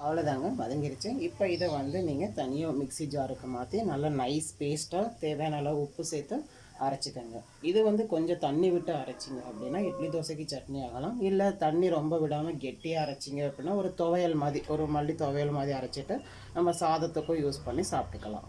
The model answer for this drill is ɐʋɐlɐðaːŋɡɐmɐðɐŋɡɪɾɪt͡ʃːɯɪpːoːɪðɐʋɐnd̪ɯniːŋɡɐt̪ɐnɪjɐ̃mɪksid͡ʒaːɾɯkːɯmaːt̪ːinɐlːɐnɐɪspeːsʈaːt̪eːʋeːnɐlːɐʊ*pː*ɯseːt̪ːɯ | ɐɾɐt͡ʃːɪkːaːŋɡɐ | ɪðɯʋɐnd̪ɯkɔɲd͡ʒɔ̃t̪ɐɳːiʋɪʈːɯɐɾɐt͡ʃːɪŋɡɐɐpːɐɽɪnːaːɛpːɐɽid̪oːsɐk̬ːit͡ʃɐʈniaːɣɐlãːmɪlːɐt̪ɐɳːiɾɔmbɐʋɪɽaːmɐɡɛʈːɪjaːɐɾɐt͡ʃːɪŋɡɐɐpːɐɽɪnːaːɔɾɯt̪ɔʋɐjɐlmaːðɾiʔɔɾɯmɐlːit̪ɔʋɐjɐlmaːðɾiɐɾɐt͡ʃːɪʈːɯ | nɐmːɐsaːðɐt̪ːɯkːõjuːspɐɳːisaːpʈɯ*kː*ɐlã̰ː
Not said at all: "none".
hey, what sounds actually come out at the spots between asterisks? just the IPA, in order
pː, kː

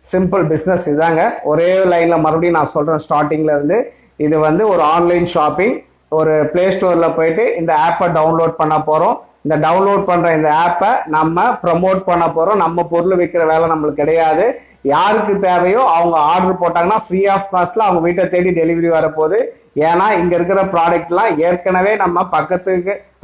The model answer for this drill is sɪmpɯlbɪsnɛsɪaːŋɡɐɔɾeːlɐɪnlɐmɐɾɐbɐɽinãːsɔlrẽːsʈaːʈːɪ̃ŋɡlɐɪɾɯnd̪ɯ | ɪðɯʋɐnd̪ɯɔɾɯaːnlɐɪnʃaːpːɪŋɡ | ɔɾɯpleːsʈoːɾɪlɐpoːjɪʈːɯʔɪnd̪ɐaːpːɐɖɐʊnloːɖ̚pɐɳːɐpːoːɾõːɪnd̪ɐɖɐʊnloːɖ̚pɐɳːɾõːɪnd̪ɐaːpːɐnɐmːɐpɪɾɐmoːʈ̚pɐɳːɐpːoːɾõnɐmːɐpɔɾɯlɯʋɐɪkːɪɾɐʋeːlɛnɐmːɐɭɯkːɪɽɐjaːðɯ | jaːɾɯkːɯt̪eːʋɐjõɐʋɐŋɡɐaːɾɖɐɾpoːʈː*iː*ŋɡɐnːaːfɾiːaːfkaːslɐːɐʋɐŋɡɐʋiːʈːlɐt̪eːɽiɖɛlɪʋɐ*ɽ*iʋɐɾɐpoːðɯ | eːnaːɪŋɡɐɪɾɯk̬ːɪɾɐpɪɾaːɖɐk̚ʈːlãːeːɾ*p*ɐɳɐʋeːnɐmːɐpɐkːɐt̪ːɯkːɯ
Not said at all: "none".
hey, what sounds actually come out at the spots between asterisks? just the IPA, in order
aː, ɾ, k

